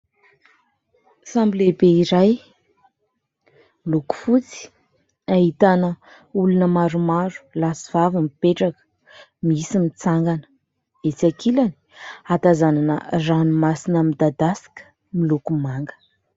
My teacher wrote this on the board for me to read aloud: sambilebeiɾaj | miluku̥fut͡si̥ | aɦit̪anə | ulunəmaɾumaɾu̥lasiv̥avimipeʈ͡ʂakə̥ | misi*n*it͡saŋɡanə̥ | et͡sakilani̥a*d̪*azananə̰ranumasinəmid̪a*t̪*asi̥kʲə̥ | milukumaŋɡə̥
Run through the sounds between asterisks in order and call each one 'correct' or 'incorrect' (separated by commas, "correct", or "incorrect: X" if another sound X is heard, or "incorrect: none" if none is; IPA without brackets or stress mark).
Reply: incorrect: m, incorrect: t̪, incorrect: d̪